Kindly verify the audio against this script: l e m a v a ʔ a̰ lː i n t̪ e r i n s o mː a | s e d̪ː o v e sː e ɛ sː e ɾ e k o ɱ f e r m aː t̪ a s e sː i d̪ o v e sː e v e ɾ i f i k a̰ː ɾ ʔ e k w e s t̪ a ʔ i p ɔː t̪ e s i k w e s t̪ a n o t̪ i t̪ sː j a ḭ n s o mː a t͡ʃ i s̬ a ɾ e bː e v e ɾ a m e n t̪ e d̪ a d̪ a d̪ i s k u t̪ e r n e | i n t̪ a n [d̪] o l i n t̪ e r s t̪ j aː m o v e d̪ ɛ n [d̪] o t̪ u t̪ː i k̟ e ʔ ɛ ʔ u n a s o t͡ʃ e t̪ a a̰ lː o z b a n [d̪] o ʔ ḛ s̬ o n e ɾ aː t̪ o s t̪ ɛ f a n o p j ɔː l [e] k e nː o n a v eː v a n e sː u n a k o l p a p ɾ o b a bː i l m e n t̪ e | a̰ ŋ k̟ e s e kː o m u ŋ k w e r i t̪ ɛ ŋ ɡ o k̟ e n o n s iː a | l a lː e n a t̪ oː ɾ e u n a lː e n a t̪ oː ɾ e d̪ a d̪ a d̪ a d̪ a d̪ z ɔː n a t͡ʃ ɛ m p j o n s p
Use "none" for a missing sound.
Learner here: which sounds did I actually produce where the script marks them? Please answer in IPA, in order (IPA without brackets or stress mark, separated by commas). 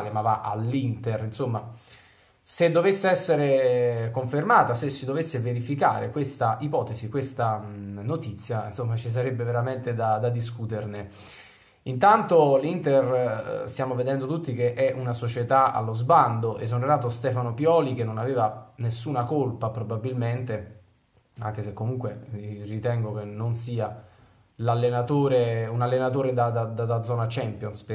t̪, d̪, d̪, i